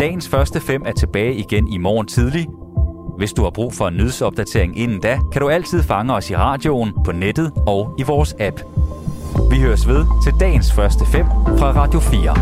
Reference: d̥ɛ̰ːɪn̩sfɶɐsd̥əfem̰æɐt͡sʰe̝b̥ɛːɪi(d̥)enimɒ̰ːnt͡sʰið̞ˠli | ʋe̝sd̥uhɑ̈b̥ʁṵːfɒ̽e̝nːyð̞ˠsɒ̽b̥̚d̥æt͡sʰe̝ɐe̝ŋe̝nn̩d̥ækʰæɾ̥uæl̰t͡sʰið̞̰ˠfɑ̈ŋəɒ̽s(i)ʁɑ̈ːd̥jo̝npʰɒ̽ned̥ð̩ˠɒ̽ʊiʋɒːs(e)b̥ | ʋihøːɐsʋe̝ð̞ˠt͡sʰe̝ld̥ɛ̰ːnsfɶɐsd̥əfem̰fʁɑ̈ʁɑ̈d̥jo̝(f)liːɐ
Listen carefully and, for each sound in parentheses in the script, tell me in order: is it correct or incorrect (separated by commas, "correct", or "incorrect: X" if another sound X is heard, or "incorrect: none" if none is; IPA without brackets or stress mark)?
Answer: incorrect: ɡ̥, correct, incorrect: æ, correct